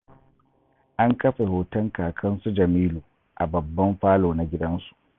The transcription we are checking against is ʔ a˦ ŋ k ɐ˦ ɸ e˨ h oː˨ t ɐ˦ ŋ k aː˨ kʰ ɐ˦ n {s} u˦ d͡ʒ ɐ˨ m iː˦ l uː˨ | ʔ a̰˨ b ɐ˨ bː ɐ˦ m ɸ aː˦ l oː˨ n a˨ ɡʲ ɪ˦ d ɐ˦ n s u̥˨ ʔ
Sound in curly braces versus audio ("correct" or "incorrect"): correct